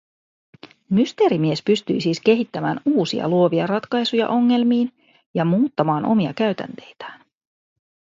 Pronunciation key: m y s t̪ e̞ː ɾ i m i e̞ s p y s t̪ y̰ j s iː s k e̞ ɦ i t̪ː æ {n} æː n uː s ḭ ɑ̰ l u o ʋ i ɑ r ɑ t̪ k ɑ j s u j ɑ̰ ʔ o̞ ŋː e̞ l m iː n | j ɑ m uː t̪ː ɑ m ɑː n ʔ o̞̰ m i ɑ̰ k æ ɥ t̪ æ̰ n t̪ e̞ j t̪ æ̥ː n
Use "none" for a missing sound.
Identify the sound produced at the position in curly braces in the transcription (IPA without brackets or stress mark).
m